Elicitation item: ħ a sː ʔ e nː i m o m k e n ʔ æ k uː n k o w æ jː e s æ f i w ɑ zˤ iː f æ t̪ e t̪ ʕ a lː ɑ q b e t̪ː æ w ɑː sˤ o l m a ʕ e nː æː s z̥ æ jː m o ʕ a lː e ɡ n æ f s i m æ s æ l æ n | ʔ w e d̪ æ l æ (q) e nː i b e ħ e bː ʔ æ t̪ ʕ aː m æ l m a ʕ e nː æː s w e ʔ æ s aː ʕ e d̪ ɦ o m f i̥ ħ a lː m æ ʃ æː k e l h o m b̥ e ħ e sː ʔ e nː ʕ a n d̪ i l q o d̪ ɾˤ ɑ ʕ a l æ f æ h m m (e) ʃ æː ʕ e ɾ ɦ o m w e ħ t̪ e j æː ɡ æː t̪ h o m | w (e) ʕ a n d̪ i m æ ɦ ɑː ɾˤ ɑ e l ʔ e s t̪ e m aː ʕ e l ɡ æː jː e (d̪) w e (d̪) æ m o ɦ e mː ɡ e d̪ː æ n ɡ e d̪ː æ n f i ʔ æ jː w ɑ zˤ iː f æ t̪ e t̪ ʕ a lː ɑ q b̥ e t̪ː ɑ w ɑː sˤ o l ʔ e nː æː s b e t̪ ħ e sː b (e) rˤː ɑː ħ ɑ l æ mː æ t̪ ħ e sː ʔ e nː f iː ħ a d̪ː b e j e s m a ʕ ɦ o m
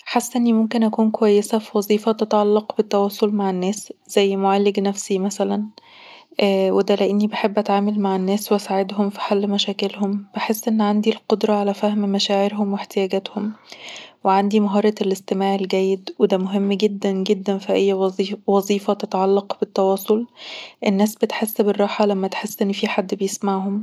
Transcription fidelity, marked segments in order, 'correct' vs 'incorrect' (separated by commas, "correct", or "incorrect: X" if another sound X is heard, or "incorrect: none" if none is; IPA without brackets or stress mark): incorrect: ʔ, incorrect: æ, correct, correct, correct, correct